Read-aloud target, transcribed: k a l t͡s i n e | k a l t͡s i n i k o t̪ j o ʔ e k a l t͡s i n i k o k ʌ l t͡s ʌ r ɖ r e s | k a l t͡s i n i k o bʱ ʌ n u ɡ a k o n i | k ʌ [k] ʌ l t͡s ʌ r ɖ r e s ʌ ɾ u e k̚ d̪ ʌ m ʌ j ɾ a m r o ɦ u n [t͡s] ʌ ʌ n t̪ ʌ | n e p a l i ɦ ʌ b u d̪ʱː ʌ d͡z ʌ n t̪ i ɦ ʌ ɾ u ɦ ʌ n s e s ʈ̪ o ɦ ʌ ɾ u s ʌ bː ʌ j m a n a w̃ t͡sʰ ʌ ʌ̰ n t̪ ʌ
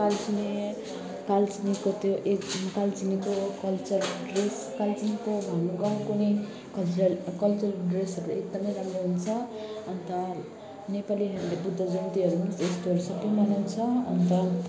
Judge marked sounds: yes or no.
yes, no

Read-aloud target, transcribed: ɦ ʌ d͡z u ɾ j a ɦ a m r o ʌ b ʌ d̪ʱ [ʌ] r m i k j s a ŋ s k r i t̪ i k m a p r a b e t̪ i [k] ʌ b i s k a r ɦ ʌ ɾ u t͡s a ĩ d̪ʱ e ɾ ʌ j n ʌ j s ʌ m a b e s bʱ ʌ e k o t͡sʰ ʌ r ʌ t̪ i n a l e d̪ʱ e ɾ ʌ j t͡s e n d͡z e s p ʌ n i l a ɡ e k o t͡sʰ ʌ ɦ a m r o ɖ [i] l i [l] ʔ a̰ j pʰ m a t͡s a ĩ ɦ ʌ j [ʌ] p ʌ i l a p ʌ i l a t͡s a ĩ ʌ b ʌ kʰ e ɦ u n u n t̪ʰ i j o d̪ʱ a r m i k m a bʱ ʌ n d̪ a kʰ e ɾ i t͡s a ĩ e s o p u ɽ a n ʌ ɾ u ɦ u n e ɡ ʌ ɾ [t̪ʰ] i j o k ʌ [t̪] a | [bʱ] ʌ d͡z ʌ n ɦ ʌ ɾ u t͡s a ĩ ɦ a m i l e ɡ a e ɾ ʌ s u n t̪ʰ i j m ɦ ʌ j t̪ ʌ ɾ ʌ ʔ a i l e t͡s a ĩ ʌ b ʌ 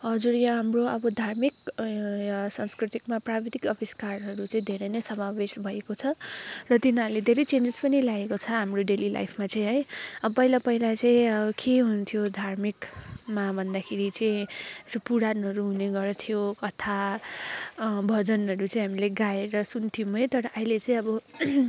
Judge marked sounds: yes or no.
no, yes, no, yes, yes, yes, no, yes

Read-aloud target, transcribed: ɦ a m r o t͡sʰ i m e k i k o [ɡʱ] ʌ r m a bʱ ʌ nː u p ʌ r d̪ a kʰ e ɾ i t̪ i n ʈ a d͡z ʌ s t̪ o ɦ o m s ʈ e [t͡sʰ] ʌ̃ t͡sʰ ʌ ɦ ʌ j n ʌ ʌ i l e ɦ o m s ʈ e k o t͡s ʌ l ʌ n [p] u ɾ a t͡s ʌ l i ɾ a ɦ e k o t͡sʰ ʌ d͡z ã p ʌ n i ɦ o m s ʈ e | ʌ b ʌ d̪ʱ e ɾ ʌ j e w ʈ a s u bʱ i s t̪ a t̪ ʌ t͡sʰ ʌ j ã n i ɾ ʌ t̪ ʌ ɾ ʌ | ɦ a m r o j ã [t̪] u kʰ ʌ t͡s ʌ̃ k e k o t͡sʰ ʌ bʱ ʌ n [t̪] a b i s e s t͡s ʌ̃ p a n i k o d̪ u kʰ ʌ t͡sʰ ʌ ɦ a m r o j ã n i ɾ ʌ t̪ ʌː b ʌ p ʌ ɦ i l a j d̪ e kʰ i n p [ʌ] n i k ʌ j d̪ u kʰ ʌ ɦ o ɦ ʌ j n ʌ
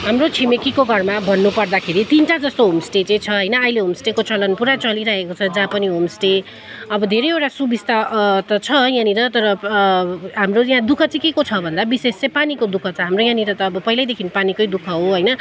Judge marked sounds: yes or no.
yes, no, yes, no, no, no

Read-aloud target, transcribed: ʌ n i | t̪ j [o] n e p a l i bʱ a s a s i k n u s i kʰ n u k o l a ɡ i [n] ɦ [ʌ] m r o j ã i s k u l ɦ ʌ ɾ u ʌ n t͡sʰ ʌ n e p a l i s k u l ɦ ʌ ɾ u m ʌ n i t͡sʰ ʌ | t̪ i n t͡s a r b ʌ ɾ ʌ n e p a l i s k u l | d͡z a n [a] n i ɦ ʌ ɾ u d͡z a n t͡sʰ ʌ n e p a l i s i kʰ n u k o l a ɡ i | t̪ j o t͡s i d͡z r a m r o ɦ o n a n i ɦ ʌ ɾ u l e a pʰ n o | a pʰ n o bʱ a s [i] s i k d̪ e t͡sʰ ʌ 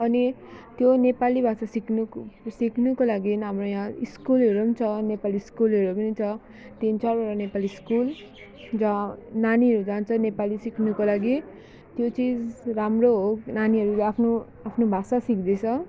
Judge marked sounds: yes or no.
yes, yes, no, yes, no

